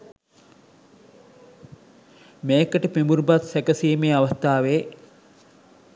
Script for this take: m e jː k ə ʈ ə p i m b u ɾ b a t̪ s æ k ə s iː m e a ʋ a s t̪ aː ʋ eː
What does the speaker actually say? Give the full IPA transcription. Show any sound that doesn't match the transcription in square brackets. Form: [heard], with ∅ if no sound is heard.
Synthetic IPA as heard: m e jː k ə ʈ ə p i m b u ɾ b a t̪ s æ k ə s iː m e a ʋ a s t̪ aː ʋ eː

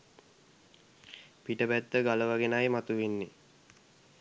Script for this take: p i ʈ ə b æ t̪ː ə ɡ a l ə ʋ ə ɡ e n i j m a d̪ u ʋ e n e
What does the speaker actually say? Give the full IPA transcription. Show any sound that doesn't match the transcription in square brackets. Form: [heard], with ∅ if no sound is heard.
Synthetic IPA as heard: p i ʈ ə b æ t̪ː ə ɡ a l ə ʋ [a] ɡ e n [a] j m a [t̪] u ʋ e [nː] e

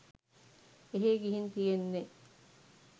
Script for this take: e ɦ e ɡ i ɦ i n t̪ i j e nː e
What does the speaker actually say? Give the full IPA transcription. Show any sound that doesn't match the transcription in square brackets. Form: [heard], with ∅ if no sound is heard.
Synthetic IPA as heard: e ɦ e ɡ i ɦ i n t̪ i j e nː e

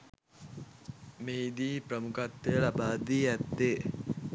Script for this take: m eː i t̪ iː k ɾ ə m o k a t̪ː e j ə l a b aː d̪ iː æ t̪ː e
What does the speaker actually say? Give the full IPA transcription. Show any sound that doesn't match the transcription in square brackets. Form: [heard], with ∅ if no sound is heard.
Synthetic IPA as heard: m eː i [d̪] iː [p] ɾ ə m [u] k a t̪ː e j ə l a b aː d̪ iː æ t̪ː e

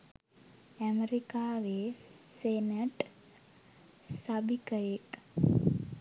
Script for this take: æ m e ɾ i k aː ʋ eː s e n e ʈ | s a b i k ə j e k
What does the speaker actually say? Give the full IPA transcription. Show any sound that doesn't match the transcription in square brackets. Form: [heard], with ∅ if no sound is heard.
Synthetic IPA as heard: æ m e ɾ i k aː ʋ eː s e n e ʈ | s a b i k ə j e k

